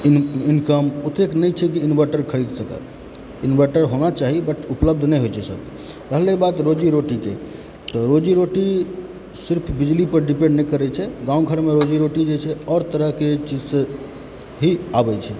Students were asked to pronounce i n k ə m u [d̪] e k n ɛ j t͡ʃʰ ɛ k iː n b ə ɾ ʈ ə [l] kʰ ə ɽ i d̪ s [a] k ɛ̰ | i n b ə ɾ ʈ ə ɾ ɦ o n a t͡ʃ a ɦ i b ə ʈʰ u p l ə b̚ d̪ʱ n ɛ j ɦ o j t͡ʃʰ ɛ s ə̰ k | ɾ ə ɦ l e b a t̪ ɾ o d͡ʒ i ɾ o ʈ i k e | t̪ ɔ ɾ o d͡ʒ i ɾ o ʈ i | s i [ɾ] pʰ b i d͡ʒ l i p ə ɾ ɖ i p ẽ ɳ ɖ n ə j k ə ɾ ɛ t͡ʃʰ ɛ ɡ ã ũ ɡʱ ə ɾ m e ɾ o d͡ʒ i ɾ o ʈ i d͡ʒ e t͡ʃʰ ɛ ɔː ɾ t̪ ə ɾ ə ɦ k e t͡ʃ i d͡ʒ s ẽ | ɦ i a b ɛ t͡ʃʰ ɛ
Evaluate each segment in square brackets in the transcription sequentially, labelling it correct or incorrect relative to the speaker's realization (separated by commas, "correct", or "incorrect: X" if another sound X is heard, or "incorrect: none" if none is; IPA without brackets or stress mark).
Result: incorrect: t̪, incorrect: ɾ, incorrect: ə, correct